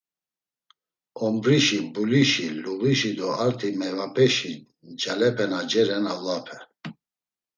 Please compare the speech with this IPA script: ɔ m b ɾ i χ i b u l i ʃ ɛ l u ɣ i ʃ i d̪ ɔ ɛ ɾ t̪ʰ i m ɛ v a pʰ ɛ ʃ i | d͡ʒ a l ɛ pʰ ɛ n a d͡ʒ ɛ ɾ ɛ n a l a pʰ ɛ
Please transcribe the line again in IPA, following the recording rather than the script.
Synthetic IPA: ɔ m b ɾ i ʃ i b u l i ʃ i l u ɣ i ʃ i d̪ ɔ a ɾ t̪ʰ i m ɛ v a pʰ ɛ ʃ i | d͡ʒ a l ɛ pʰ ɛ n a d͡ʒ ɛ ɾ ɛ n a l a pʰ ɛ